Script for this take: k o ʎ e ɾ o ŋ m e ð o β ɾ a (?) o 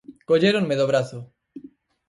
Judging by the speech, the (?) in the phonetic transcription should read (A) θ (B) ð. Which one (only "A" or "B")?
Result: A